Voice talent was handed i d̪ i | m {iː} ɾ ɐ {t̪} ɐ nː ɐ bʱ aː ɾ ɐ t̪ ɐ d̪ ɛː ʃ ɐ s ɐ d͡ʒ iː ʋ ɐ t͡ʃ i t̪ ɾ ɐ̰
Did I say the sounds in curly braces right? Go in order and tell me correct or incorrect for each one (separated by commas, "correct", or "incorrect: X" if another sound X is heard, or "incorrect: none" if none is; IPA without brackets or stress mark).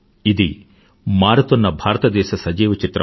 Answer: incorrect: aː, correct